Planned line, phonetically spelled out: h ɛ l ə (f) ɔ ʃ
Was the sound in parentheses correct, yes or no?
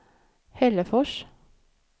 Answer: yes